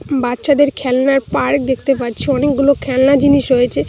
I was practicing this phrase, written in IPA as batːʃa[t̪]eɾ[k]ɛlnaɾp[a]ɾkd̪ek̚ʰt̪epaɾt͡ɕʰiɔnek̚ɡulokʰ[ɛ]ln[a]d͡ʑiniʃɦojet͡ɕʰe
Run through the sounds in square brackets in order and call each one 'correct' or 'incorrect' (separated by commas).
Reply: incorrect, incorrect, correct, correct, correct